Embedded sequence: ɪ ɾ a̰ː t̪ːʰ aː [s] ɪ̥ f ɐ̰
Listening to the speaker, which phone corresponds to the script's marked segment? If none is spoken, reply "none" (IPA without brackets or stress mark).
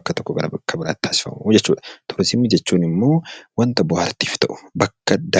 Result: s